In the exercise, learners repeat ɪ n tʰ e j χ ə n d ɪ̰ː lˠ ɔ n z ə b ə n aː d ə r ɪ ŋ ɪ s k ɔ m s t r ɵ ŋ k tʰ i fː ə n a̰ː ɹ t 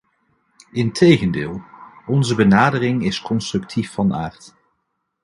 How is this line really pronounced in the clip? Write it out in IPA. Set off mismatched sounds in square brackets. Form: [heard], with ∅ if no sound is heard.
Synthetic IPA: ɪ n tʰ e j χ ə n d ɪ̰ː lˠ ɔ n z ə b ə n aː d ə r ɪ ŋ ɪ s k ɔ [n] s t r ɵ [∅] k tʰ i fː [ɑ] n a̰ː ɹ t